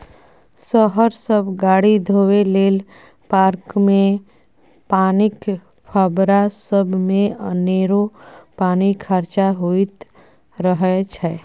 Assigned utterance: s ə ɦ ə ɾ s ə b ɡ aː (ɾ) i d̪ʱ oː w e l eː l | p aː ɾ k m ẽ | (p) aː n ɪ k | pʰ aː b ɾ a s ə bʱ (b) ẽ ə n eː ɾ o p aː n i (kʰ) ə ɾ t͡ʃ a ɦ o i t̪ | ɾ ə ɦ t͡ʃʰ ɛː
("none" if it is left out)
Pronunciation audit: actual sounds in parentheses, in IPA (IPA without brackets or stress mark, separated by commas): ɽ, p, m, kʰ